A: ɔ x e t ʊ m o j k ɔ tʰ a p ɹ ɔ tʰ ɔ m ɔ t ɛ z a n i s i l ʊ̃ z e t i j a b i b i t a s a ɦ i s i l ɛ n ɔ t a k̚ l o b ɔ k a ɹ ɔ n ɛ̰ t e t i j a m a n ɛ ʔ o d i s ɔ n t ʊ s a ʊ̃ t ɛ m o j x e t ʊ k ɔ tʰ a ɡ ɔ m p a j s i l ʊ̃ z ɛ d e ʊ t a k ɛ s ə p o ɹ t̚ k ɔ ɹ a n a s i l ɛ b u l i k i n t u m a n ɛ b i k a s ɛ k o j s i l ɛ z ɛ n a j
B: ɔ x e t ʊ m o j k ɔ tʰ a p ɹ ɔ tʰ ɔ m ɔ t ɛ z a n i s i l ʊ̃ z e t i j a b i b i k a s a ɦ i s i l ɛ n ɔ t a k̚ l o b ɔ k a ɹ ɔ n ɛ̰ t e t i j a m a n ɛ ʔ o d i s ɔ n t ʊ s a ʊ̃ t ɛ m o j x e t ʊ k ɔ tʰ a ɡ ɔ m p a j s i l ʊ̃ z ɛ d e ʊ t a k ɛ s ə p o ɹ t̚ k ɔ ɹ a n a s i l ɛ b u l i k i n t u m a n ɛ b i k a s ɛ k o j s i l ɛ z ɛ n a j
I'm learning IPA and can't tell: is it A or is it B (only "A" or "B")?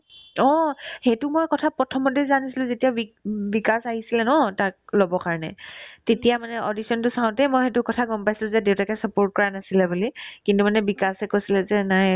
B